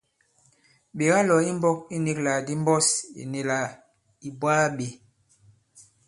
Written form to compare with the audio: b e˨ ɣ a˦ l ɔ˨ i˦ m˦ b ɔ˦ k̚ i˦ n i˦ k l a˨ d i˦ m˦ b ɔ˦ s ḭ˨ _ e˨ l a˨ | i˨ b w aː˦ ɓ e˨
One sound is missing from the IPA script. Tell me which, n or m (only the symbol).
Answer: n